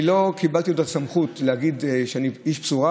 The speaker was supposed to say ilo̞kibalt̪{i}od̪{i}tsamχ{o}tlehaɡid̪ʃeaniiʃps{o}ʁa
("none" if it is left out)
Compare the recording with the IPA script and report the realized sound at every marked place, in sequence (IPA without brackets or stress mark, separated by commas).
i, a, u, u